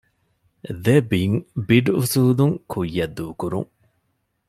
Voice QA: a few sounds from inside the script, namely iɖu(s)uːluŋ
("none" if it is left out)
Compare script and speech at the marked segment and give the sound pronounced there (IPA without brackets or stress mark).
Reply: s